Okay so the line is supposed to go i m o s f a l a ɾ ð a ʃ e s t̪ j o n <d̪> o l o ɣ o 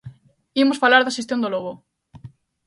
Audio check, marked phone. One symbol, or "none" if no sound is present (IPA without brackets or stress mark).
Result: d̪